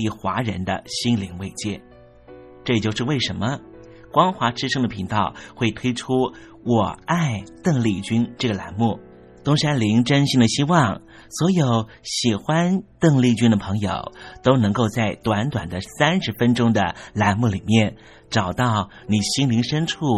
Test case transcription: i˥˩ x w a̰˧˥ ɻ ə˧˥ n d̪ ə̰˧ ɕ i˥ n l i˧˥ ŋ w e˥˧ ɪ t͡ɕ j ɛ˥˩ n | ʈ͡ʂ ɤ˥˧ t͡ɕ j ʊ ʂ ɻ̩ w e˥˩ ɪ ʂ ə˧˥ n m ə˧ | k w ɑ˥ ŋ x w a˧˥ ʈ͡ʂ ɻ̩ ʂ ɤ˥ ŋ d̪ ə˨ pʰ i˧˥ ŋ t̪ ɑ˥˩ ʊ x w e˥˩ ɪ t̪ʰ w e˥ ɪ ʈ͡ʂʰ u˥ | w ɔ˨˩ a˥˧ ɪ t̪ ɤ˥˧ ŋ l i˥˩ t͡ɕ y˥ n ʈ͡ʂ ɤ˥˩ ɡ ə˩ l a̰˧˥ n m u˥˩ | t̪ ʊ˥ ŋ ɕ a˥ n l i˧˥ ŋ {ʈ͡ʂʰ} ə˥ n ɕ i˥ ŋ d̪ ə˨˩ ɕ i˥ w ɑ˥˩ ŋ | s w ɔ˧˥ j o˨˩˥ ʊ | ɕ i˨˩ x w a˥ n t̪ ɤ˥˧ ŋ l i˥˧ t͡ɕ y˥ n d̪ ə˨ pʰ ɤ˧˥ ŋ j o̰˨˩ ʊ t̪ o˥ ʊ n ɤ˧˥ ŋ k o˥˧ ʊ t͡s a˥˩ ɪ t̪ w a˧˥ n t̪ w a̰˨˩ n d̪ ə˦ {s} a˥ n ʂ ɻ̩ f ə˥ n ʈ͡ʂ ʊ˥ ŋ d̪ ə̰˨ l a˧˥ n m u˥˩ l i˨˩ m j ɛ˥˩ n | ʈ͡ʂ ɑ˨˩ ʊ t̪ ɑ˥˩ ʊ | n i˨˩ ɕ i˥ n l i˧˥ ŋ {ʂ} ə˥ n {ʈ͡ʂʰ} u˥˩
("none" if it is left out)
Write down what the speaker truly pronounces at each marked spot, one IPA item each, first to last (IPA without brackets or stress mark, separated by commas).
ʈ͡ʂ, s, ʂ, ʈ͡ʂʰ